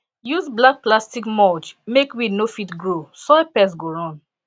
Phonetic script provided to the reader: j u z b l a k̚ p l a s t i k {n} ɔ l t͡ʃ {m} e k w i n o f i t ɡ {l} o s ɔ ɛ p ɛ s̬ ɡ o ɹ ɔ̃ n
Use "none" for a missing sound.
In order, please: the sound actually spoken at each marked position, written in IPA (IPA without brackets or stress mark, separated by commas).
m, m, ɹ